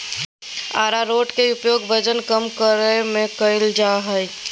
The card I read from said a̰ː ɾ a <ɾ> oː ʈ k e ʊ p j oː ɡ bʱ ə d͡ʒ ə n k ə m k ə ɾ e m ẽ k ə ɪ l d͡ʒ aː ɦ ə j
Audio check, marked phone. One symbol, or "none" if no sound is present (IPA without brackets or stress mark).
ɾ